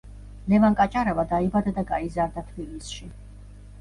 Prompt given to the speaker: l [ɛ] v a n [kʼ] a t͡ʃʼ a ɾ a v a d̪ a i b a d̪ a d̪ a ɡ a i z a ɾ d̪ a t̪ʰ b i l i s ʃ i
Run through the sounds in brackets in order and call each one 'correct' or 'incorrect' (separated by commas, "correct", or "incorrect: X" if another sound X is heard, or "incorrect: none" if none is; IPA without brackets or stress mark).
correct, correct